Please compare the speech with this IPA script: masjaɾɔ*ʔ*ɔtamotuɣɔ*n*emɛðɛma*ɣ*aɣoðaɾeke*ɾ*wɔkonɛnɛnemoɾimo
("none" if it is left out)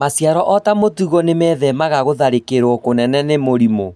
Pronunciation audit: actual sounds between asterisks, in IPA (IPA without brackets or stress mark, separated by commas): ʔ, n, ɣ, ɾ